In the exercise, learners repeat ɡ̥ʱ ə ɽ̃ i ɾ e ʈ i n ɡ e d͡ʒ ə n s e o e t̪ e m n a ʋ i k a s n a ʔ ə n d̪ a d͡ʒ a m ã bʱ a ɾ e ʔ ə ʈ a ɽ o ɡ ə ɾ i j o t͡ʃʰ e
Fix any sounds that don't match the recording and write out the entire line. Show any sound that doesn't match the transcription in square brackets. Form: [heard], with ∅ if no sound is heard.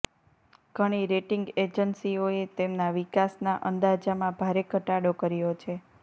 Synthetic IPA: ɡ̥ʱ ə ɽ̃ i ɾ e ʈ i [ŋ] ɡ e d͡ʒ ə n s [i] o e t̪ e m n a ʋ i k a s n a ʔ ə n d̪ a d͡ʒ a m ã bʱ a ɾ e [k] ə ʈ a ɽ o [k] ə ɾ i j o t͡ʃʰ e

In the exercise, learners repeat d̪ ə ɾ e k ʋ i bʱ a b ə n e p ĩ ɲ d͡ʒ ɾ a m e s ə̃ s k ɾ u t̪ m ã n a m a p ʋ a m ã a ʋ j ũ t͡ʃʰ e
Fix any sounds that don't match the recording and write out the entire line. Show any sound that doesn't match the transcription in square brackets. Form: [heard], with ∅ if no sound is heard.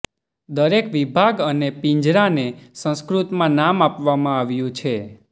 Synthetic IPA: d̪ ə ɾ e k ʋ i bʱ a [ɡ] ə n e p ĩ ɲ d͡ʒ ɾ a [n] e s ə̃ s k ɾ u t̪ m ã n a m a p ʋ a m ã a ʋ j ũ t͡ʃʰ e

